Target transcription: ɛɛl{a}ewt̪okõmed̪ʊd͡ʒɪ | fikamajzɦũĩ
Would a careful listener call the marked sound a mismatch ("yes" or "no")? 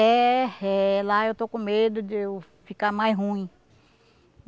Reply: no